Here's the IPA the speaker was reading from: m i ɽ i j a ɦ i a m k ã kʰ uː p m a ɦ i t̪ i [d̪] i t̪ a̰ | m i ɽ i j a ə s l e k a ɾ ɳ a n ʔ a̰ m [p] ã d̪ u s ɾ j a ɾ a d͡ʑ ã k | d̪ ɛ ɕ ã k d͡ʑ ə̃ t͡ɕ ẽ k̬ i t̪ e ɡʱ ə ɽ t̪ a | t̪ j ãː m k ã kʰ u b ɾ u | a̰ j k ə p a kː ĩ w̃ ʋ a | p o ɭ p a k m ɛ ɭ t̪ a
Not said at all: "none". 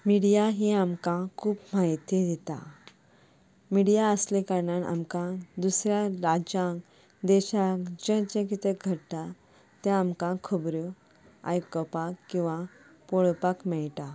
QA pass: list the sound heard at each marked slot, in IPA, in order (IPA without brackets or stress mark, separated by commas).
d̪, k